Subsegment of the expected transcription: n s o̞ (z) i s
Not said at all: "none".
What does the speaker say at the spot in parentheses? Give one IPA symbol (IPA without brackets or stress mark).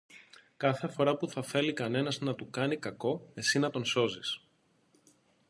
z